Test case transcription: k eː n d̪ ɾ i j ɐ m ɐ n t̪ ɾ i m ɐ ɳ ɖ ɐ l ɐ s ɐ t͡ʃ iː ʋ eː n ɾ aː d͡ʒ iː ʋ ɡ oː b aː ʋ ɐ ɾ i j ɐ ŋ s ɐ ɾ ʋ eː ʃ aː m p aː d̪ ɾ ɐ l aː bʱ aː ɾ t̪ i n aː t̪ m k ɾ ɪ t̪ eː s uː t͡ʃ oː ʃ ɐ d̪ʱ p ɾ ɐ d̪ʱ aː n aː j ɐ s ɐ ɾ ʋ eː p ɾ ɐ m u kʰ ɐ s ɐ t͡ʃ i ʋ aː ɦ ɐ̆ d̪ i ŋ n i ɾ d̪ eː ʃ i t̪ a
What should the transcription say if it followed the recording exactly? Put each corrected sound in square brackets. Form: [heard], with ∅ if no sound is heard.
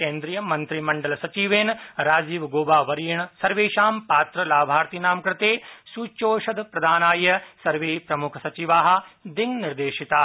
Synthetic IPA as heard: k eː n d̪ ɾ i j ɐ m ɐ n t̪ ɾ i m ɐ ɳ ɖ ɐ l ɐ s ɐ t͡ʃ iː ʋ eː n ɾ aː d͡ʒ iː ʋ ɡ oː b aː ʋ ɐ ɾ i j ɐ [ɳ] s ɐ ɾ ʋ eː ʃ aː m p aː [t̪] ɾ ɐ l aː bʱ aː ɾ t̪ i n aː [∅] m k ɾ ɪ t̪ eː s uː t͡ʃ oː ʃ ɐ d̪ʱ p ɾ ɐ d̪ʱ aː n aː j ɐ s ɐ ɾ ʋ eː p ɾ ɐ m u kʰ ɐ s ɐ t͡ʃ i ʋ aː ɦ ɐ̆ d̪ i ŋ n i ɾ d̪ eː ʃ i t̪ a